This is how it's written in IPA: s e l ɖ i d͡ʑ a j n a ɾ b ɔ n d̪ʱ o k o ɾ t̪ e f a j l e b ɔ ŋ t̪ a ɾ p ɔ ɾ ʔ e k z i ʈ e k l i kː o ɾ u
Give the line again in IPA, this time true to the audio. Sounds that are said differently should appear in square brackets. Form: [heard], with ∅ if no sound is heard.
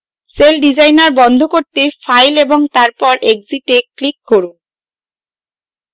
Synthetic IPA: s e l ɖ i d͡ʑ a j n a ɾ b ɔ n d̪ʱ o k o ɾ t̪ e f a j l e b [o] ŋ t̪ a ɾ p ɔ ɾ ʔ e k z i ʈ e k l i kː o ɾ u